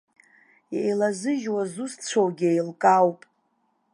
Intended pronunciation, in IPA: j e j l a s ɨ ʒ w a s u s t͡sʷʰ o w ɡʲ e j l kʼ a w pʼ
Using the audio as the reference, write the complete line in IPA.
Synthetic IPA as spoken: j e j l a z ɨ ʒ w a z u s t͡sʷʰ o w ɡʲ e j l kʼ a w pʼ